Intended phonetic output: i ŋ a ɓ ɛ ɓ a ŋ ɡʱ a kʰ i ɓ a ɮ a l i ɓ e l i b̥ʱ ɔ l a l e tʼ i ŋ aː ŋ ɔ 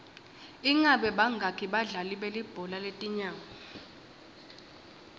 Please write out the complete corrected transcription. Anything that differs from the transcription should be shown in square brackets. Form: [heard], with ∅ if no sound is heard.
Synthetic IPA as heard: i ŋ a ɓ ɛ ɓ a ŋ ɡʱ a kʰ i ɓ a ɮ a l i ɓ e l i b̥ʱ ɔ l a l e tʼ i [ɲ] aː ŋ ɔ